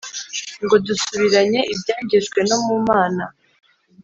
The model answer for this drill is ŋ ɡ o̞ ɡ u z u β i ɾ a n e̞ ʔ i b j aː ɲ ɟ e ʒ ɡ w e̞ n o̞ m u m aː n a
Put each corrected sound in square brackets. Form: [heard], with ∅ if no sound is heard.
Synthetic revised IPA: ŋ ɡ o̞ [d] u [s] u β i ɾ a [ɲ] e̞ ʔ i b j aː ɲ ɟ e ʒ ɡ w e̞ n o̞ m u m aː n a